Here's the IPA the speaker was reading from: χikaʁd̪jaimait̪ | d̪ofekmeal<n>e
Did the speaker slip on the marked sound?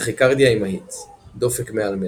yes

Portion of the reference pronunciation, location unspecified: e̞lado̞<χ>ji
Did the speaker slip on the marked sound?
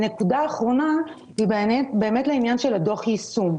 no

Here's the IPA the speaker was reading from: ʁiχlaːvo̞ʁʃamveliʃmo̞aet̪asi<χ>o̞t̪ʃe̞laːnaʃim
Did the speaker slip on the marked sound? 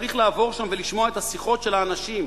no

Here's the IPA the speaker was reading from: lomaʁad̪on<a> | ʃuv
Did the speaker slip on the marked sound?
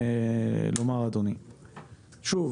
yes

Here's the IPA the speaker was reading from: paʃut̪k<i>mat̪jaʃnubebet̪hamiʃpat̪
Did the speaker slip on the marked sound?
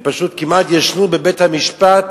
no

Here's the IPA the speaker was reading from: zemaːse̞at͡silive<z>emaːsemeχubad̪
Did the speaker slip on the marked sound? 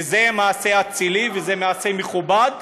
no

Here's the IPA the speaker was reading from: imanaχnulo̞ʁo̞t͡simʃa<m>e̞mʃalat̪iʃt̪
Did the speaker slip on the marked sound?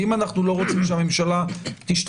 no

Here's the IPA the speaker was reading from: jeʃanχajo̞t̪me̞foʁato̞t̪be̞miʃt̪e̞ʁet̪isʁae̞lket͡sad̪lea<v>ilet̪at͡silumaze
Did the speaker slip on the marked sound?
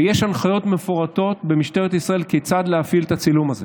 yes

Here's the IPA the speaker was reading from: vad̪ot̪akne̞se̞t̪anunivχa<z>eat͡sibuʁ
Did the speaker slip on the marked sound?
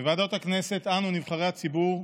yes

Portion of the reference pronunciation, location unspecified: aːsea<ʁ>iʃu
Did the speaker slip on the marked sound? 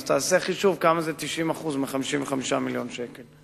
yes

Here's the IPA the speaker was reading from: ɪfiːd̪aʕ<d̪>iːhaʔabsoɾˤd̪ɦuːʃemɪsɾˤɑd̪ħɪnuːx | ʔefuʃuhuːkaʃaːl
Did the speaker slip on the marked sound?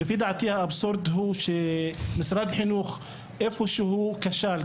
yes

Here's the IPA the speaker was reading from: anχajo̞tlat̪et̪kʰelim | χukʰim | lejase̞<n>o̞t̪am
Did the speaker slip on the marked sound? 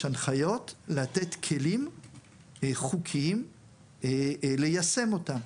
yes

